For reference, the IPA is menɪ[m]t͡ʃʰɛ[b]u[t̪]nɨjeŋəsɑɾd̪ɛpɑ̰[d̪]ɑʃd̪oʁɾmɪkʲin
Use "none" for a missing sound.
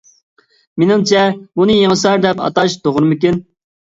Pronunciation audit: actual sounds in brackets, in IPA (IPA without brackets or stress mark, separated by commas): ŋ, b, none, t̪